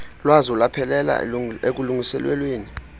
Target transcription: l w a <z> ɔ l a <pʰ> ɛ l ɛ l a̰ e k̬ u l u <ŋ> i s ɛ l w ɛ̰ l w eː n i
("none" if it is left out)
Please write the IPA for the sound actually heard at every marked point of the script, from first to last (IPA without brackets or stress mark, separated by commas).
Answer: z, pʰ, ŋ